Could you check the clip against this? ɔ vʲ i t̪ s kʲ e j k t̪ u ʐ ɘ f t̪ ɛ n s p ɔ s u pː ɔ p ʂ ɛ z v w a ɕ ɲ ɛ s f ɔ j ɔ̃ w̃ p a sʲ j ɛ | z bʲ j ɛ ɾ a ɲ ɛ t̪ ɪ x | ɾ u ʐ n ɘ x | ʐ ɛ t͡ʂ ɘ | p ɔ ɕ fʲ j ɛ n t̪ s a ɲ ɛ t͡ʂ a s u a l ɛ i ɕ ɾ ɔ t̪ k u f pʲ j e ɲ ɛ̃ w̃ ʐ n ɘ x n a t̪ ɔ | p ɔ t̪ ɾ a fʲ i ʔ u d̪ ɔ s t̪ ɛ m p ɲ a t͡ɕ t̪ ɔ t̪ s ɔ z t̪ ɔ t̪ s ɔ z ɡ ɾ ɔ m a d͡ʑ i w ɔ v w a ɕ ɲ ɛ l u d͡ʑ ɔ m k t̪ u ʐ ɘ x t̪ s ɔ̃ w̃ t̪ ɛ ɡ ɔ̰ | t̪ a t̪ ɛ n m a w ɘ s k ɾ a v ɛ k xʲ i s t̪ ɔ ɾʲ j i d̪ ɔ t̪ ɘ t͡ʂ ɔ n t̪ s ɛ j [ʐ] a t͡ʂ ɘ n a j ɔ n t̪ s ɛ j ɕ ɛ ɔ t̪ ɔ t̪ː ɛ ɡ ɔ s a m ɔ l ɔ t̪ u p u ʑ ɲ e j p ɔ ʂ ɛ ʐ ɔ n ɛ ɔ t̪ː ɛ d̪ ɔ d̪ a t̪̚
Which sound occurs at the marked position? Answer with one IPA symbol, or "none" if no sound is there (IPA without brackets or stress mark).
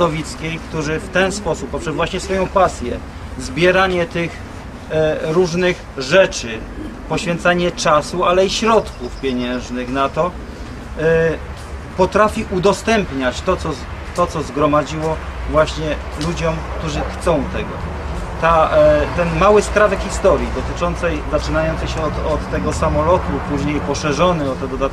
z